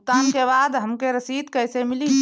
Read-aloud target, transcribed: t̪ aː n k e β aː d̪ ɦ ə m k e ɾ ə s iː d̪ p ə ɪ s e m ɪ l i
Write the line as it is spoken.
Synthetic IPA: t̪ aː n k e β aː d̪ ɦ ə m k e ɾ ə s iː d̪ k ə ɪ s e m ɪ l i